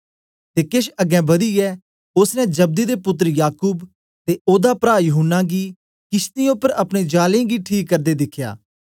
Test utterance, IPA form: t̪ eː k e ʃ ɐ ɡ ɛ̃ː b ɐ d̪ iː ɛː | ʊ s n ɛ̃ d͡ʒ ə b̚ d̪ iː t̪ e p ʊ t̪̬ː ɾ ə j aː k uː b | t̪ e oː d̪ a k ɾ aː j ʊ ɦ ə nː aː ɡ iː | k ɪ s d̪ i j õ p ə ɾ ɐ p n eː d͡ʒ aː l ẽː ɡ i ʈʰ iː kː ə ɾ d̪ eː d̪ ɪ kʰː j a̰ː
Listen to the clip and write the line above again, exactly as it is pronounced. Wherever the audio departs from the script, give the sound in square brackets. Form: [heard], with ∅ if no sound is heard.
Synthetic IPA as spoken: t̪ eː k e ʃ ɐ ɡ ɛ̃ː b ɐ d̪ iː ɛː | ʊ s n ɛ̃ d͡ʒ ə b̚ d̪ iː [d̪] e p ʊ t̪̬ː ɾ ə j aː k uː b | t̪ e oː d̪ a [p] ɾ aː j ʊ ɦ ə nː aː ɡ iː | k ɪ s [t̪] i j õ p ə ɾ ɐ p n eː d͡ʒ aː l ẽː ɡ i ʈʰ iː kː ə ɾ d̪ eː d̪ ɪ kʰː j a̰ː